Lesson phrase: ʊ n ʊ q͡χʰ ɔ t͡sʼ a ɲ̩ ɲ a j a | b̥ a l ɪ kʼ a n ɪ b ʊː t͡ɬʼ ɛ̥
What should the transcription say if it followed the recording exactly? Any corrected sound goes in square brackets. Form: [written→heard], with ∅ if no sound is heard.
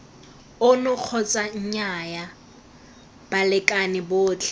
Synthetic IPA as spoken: ʊ n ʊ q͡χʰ ɔ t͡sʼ a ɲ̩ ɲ a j a | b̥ a l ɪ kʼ a n ɪ b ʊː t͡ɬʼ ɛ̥